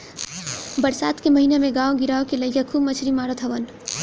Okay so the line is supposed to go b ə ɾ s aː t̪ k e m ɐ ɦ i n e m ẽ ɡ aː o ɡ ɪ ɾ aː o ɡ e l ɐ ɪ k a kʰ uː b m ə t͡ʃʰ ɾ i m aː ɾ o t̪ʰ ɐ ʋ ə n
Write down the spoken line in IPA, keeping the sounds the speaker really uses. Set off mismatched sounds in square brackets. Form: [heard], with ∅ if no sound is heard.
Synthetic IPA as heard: b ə ɾ s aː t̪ k e m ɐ ɦ i n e m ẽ ɡ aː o ɡ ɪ ɾ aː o [k] e l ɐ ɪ k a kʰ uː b m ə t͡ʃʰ ɾ i m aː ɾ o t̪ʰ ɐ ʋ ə n